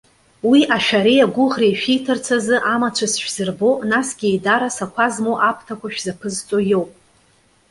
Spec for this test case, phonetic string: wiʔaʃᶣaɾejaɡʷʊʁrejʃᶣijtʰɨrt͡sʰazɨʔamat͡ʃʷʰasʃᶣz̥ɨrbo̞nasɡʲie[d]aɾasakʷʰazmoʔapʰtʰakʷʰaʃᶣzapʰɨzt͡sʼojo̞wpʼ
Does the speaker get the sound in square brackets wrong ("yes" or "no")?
no